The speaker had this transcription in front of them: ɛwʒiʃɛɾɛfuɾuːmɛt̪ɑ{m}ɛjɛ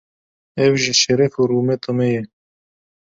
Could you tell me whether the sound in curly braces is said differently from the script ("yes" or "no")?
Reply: no